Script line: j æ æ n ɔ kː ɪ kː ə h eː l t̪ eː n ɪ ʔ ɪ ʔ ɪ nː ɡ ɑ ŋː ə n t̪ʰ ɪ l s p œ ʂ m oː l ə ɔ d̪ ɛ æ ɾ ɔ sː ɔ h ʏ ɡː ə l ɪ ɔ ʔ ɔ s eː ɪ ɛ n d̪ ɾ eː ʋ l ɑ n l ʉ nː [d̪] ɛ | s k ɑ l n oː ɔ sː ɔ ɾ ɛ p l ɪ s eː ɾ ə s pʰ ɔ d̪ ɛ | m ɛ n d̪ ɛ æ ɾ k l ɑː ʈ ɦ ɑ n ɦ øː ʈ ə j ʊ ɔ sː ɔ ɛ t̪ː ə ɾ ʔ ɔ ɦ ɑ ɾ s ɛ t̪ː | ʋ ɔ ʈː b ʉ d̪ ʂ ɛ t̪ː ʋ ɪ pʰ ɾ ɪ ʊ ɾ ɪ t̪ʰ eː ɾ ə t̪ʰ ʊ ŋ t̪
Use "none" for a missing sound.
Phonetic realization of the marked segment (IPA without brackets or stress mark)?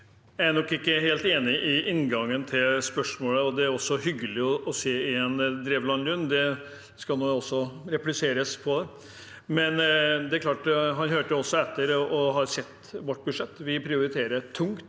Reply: d̪